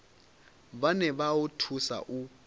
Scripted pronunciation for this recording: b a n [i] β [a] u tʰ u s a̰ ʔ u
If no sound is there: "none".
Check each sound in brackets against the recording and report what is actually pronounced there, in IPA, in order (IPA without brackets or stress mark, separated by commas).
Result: ɛ, a